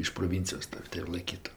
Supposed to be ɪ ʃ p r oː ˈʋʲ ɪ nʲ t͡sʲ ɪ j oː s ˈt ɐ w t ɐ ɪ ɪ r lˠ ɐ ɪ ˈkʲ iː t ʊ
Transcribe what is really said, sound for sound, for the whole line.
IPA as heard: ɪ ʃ p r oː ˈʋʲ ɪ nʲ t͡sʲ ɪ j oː s ˈt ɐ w t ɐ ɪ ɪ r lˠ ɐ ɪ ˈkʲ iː t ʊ